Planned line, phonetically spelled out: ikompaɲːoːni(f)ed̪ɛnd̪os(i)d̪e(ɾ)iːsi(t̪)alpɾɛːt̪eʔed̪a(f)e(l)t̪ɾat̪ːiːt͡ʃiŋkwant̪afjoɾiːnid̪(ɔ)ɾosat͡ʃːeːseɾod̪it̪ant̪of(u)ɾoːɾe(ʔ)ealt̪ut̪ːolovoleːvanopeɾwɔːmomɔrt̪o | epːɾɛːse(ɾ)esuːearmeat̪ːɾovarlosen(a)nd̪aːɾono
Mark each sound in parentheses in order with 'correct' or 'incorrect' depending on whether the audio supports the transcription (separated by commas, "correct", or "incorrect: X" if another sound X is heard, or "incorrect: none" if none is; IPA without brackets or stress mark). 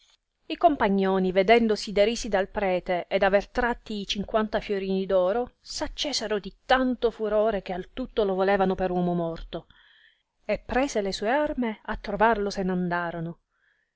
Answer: incorrect: v, correct, correct, incorrect: d̪, incorrect: v, incorrect: r, incorrect: ɔː, correct, incorrect: k, incorrect: l, correct